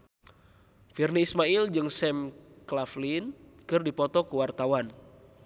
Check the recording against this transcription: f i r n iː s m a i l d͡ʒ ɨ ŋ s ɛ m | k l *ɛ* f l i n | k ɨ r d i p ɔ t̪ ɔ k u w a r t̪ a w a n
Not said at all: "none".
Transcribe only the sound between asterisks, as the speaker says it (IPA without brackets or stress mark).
a